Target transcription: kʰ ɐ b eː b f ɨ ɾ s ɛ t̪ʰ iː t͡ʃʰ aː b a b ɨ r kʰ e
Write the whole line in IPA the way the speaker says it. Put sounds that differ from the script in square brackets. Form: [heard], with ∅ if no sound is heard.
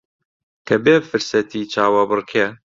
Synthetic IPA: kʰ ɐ b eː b f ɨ ɾ s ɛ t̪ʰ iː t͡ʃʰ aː [w] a b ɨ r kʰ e